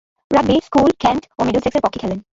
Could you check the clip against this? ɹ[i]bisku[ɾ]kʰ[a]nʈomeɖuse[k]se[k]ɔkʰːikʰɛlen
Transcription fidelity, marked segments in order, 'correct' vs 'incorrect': incorrect: a, incorrect: l, incorrect: ɛ, correct, incorrect: p

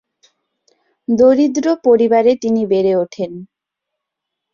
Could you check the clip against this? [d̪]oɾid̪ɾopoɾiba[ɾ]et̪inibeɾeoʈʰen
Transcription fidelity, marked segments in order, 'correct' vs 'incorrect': correct, correct

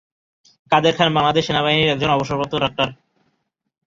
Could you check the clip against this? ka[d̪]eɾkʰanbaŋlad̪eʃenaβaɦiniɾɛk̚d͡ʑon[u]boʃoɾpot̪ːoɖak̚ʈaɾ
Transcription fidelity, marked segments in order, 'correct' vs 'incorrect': correct, incorrect: ɔ

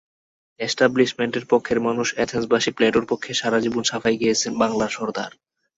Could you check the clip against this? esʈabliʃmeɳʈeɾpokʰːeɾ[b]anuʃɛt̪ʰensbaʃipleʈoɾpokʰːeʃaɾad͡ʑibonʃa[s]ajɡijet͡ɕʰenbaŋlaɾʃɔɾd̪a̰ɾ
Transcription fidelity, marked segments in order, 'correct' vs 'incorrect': incorrect: m, incorrect: f

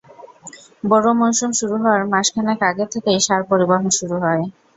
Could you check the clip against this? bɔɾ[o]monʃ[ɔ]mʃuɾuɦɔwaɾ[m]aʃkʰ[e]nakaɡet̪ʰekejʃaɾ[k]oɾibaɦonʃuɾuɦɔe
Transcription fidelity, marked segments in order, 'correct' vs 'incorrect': correct, incorrect: u, correct, incorrect: a, incorrect: p

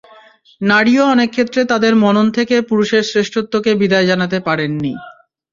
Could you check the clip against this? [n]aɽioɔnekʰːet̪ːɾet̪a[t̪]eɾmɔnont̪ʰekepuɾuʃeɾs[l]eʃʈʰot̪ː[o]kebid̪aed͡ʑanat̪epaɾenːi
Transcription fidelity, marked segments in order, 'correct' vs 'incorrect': correct, incorrect: d̪, incorrect: ɾ, correct

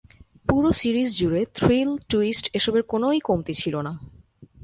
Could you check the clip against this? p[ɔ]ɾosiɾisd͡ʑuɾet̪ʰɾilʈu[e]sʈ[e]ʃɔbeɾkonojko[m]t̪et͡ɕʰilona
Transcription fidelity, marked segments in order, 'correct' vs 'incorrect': incorrect: u, incorrect: i, correct, correct

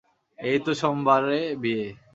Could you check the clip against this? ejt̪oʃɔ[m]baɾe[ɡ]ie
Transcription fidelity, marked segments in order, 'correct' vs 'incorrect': correct, incorrect: b

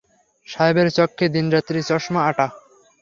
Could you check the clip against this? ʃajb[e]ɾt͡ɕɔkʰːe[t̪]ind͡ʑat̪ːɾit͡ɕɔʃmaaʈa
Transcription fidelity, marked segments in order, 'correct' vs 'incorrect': correct, incorrect: d̪

